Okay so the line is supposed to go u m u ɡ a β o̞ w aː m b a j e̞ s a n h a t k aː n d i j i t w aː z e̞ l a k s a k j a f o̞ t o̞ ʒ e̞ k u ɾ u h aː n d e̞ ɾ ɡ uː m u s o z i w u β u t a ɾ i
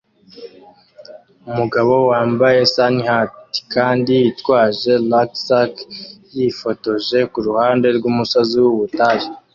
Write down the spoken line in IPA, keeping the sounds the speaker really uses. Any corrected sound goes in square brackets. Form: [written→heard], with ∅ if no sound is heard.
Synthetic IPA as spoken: u m u ɡ a β o̞ w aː m b a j e̞ s a n h a t k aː n d i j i t w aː [z→ʒ] e̞ l a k s a k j [a→i] f o̞ t o̞ ʒ e̞ k u ɾ u h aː n d e̞ ɾ ɡ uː m u s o z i w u β u t a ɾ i